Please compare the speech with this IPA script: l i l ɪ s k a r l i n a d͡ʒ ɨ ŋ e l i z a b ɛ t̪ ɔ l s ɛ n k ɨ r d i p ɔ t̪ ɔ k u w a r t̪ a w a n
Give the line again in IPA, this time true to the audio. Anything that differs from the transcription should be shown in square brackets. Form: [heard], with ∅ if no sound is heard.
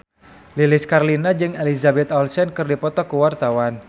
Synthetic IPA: l i l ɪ s k a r l i n a d͡ʒ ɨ ŋ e l i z a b ɛ t̪ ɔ l s ɛ n k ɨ r d i p ɔ t̪ ɔ k u w a r t̪ a w a n